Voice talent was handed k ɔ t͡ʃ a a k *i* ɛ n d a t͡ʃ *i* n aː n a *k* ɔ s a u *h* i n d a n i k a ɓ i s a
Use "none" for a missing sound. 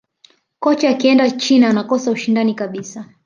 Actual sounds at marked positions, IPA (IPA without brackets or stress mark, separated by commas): i, i, k, ʃ